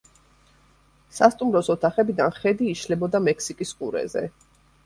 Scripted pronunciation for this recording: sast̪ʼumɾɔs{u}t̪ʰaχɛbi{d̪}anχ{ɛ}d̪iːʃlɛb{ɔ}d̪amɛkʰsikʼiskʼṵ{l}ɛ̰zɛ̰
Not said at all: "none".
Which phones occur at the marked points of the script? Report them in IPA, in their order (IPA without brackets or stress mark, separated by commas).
ɔ, d̪, ɛ, ɔ, ɾ